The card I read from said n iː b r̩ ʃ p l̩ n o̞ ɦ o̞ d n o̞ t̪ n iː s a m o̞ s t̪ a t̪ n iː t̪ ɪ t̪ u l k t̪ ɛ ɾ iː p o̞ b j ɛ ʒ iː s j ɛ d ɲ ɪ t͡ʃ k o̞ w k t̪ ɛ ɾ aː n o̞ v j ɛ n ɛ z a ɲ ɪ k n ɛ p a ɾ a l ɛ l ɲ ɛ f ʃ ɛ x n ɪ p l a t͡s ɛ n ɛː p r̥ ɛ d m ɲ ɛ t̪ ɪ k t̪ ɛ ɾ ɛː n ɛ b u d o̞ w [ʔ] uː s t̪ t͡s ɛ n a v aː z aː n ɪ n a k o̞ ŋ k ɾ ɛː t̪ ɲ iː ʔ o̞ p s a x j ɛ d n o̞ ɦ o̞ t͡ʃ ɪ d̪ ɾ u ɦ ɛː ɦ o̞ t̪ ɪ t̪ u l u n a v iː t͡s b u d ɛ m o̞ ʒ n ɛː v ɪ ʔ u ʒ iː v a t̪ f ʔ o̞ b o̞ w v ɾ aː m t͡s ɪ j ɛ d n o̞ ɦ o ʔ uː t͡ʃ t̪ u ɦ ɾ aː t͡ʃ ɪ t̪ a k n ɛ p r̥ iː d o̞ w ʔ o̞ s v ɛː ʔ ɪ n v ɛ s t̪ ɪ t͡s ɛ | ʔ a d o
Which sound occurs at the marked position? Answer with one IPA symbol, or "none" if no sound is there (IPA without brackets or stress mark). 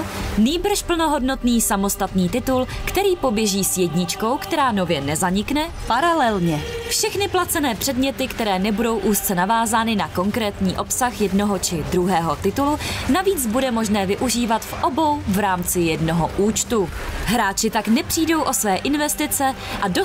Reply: ʔ